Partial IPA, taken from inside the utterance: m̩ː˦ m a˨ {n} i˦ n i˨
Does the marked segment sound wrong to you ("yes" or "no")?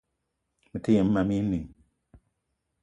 yes